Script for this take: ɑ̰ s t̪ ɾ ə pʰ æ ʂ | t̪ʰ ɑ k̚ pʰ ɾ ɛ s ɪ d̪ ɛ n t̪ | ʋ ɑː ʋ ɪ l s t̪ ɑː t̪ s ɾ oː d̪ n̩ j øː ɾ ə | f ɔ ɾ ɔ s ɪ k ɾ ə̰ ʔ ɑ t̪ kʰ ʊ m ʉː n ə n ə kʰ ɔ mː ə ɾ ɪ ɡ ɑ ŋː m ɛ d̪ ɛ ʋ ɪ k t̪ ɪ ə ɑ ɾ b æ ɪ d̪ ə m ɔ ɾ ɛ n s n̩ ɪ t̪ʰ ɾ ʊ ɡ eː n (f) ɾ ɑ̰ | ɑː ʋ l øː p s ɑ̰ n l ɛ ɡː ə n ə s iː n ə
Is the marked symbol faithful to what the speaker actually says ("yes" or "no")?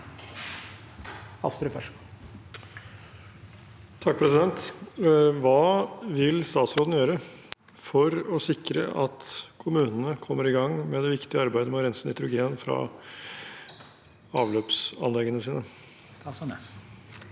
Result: yes